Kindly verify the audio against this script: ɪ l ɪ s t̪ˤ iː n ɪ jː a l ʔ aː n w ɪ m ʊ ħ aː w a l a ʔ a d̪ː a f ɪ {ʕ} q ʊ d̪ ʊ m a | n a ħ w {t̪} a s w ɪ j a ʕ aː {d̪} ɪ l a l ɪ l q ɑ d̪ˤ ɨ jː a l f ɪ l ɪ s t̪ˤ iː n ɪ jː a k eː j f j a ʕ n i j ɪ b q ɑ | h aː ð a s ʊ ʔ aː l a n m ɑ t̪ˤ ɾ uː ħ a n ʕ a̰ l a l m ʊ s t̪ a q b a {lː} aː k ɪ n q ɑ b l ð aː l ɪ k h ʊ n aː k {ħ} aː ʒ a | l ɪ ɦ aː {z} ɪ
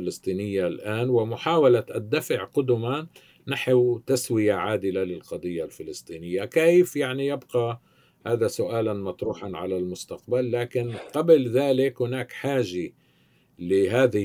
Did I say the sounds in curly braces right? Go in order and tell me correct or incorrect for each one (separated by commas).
correct, correct, correct, correct, correct, incorrect